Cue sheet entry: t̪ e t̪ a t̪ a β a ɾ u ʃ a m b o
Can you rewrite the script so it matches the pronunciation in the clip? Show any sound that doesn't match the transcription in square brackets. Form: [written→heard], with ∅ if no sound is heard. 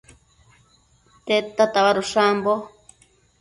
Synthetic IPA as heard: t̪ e t̪ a t̪ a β a ɾ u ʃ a m b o